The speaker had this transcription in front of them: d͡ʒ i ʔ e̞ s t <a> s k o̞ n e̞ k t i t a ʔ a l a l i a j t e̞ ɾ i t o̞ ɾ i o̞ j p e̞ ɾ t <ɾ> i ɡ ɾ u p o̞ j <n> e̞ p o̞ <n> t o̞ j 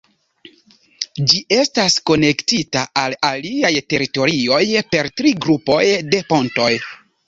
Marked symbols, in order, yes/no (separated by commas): yes, yes, no, yes